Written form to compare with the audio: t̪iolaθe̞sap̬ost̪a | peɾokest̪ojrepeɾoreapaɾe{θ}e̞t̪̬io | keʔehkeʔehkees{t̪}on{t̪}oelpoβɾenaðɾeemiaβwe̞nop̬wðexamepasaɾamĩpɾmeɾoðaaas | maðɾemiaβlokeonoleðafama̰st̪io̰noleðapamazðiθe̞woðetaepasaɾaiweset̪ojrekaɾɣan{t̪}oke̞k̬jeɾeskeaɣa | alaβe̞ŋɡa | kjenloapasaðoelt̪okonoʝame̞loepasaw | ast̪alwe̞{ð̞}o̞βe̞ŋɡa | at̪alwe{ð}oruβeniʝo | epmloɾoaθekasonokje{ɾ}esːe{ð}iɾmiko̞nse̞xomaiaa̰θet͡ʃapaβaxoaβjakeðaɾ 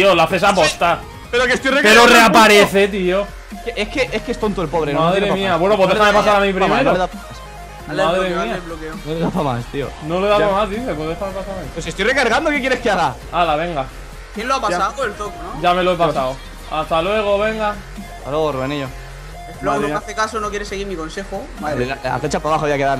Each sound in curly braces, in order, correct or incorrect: correct, correct, correct, incorrect: d̪, incorrect: ɣ̞, incorrect: ɣ, correct, incorrect: ɣ

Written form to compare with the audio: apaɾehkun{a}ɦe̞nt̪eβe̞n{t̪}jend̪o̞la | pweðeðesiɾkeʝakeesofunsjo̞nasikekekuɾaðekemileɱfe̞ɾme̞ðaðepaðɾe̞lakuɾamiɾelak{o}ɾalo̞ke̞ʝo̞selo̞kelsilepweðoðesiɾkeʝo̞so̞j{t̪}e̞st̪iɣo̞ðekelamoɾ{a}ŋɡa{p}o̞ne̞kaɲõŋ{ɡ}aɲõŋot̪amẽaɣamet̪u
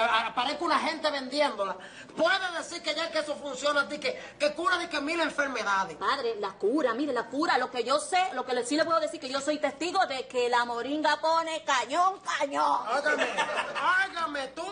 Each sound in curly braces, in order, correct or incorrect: correct, incorrect: d̪, incorrect: u, correct, incorrect: i, correct, incorrect: k

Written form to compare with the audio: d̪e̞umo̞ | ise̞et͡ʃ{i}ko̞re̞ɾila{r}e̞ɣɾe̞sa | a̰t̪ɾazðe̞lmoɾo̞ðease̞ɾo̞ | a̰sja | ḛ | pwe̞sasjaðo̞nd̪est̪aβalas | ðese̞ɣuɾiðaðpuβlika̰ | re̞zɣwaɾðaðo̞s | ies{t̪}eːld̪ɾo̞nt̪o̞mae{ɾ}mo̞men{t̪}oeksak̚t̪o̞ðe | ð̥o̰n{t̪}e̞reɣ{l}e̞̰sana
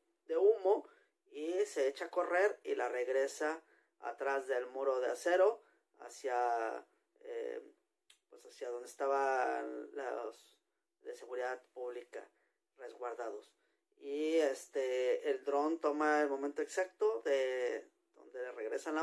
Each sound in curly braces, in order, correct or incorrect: incorrect: a, correct, correct, incorrect: l, correct, incorrect: d̪, incorrect: ɾ

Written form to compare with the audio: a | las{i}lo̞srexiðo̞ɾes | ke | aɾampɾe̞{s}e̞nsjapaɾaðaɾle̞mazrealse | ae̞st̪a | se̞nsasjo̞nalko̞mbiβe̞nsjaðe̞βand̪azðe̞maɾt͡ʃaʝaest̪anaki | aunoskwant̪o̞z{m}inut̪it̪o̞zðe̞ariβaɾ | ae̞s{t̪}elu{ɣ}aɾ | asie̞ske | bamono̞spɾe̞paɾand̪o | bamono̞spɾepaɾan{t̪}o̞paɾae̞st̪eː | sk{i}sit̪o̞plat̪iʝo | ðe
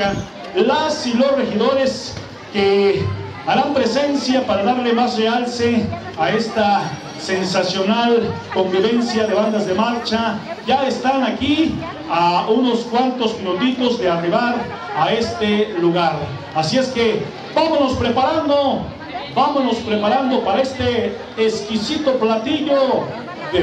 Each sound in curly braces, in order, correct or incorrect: correct, correct, correct, correct, correct, incorrect: d̪, correct

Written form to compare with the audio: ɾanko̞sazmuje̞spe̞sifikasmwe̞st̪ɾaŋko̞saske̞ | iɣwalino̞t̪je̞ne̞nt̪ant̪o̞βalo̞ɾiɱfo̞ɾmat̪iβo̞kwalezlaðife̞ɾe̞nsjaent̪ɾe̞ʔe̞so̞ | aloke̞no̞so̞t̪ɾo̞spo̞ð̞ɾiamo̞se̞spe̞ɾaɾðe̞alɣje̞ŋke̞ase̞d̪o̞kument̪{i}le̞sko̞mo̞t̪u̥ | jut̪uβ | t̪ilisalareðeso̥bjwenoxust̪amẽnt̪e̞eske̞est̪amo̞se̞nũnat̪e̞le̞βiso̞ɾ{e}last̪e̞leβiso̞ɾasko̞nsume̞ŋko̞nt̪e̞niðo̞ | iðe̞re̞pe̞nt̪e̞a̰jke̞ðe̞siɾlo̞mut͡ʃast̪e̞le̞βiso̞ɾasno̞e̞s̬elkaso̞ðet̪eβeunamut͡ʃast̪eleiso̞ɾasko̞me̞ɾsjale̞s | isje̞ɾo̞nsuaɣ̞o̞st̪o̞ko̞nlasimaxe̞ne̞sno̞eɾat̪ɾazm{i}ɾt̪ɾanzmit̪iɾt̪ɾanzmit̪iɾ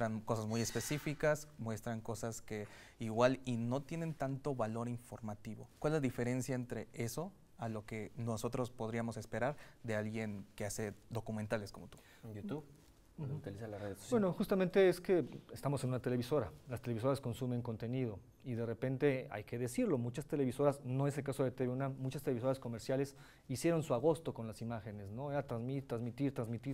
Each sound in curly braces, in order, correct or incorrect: incorrect: a, incorrect: a, correct

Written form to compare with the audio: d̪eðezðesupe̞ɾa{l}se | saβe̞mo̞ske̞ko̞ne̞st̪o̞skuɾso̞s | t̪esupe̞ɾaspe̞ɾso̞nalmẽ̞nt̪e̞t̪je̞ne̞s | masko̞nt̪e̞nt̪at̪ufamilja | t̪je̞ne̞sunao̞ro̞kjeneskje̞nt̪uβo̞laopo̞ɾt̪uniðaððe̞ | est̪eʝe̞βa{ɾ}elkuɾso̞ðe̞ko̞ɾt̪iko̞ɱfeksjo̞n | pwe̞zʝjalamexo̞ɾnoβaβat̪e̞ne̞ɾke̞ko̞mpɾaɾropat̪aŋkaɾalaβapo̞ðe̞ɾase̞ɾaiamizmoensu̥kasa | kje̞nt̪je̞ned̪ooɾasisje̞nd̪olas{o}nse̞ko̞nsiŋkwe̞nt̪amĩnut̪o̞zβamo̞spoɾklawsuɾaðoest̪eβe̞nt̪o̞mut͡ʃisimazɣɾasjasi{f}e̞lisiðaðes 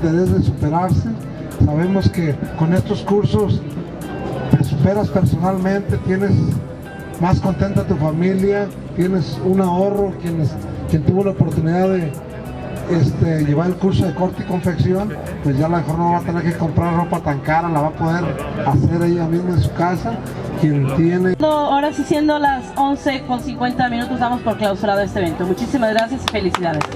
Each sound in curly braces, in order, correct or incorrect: incorrect: ɾ, correct, correct, correct

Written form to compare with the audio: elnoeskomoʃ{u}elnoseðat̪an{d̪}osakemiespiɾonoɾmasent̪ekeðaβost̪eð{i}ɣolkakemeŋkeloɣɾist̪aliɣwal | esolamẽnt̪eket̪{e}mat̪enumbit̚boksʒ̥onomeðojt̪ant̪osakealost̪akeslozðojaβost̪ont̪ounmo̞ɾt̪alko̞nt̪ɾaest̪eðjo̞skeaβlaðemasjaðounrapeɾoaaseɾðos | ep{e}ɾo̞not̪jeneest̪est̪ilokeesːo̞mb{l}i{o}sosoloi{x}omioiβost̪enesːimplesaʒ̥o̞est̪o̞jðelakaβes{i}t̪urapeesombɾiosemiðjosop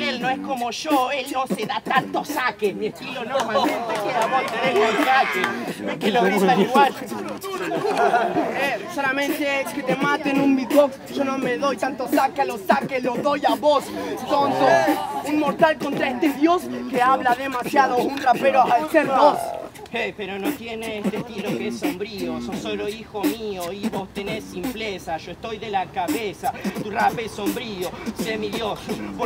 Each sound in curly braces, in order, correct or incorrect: incorrect: o, incorrect: t̪, incorrect: e, correct, correct, incorrect: ɾ, correct, correct, incorrect: a

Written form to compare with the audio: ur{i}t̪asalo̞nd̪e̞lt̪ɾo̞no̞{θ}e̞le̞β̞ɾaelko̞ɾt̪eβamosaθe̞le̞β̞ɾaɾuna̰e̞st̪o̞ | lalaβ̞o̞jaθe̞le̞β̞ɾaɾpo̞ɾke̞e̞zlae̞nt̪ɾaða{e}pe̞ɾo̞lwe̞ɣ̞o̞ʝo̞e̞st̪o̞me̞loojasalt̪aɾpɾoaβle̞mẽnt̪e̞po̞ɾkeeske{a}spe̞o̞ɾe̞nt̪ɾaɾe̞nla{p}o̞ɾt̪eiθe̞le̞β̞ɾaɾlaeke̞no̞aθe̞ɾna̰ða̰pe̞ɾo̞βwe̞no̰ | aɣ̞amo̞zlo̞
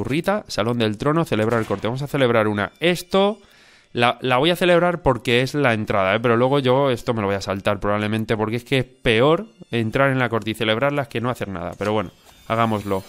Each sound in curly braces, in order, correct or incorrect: correct, correct, correct, incorrect: e, incorrect: k

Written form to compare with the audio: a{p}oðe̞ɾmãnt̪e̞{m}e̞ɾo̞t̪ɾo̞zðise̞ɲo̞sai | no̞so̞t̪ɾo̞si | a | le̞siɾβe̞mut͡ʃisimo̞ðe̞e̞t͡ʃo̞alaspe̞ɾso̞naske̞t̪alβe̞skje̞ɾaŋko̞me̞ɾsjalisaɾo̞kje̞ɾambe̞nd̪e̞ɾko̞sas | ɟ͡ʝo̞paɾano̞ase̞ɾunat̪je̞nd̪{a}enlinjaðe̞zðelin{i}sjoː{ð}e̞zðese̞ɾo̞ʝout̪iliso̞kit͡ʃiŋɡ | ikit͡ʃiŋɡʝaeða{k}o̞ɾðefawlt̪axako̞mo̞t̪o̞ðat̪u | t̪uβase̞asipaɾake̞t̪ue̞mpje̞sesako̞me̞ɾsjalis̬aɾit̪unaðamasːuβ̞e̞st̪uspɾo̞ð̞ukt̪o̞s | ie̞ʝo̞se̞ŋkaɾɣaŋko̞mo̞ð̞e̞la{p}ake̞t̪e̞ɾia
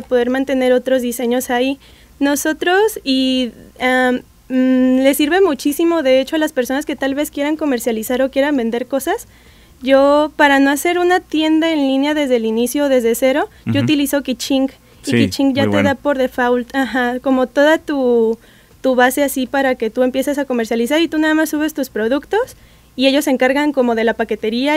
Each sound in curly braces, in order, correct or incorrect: correct, incorrect: n, correct, correct, correct, incorrect: p, correct

